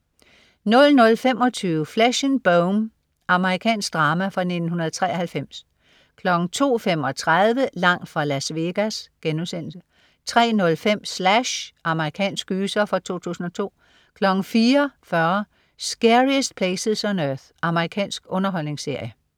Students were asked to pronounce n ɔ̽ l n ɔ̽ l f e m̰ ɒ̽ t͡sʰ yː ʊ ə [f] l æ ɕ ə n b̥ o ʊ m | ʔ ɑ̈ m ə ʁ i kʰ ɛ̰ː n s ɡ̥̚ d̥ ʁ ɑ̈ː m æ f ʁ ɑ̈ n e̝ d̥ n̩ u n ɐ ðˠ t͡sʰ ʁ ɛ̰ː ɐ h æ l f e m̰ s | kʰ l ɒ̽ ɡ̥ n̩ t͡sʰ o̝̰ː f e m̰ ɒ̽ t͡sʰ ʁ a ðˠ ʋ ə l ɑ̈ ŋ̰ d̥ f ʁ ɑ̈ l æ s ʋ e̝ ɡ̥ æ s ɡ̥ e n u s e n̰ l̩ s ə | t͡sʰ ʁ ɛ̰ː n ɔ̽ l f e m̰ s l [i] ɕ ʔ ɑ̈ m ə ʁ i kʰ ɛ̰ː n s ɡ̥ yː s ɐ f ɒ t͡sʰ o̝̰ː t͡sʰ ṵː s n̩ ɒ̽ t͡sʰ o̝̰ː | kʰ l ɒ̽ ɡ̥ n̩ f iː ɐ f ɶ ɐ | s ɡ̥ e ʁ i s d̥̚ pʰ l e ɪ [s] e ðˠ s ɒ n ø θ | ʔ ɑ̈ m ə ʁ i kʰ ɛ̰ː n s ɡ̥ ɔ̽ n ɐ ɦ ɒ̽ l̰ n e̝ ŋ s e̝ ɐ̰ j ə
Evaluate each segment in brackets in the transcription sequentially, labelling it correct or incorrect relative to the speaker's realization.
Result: correct, incorrect, correct

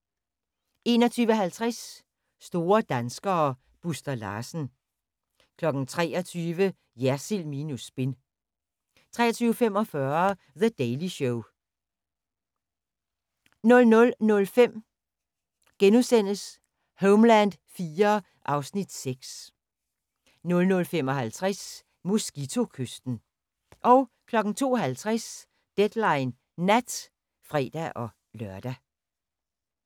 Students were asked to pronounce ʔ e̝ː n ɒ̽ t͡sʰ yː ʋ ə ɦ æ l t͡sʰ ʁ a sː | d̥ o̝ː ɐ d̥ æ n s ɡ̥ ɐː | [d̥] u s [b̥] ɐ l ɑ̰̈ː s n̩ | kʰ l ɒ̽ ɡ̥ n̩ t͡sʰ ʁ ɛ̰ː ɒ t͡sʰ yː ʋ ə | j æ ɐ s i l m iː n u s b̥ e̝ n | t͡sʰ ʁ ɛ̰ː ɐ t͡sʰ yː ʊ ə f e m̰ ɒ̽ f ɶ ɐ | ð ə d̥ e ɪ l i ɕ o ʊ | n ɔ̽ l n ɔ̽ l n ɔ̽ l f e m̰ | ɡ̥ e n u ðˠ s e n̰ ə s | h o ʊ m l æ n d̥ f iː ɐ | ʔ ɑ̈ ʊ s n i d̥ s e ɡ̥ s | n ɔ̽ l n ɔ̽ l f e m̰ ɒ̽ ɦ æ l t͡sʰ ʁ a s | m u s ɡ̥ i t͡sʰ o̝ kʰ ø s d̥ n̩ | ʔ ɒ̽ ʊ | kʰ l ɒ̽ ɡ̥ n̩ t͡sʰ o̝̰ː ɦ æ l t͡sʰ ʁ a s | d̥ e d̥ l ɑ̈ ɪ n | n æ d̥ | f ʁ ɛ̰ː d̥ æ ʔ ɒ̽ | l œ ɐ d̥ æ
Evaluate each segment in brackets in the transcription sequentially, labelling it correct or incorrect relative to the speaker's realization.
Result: incorrect, incorrect

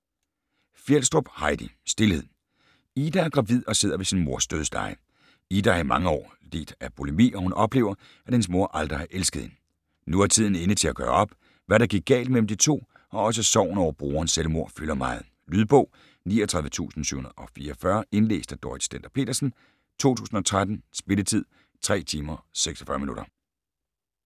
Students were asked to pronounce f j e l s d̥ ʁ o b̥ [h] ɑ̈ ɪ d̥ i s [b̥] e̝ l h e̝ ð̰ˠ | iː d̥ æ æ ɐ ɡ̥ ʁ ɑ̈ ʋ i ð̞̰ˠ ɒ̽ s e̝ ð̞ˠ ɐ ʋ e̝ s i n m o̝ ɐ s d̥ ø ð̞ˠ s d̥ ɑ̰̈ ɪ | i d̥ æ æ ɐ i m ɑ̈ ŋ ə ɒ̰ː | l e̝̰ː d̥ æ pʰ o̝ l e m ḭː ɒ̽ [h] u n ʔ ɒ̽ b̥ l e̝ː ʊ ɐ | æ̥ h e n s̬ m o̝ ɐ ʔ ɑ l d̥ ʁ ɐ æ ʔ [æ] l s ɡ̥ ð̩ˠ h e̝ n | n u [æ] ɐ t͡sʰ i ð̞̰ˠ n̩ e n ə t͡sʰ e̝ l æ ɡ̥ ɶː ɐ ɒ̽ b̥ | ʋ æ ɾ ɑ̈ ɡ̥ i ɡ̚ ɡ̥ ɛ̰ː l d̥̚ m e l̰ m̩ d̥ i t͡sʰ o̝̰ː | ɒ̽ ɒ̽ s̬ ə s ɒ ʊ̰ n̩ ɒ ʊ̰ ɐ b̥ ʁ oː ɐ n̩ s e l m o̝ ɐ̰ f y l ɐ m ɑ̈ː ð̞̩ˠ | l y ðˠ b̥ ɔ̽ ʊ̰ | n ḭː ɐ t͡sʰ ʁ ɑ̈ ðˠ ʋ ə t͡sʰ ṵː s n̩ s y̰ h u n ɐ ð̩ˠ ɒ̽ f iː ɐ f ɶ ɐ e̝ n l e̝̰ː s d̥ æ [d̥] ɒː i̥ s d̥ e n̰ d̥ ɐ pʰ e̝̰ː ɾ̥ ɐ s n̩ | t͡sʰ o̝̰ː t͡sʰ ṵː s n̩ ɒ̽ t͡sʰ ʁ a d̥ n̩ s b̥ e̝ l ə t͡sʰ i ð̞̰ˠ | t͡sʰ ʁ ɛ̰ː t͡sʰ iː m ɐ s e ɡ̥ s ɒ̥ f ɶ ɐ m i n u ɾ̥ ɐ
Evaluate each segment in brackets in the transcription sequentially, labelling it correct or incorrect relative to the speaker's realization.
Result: correct, incorrect, correct, incorrect, correct, correct

